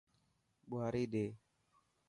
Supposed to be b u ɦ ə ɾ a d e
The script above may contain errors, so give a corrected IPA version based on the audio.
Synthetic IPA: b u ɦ a ɾ i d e